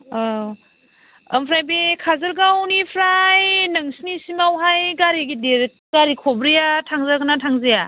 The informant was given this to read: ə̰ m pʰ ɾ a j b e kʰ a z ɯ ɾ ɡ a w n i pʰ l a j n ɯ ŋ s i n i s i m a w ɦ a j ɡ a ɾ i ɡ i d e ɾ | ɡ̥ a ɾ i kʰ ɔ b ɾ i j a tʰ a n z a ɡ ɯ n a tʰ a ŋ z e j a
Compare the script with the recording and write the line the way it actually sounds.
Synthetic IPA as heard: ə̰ m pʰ ɾ a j b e kʰ a z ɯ ɾ ɡ a w n i pʰ ɾ a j n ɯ ŋ s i n i s i m a w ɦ a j ɡ a ɾ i ɡ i d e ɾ | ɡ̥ a ɾ i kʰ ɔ b ɾ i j a tʰ a ŋ z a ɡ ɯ n a tʰ a ŋ z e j a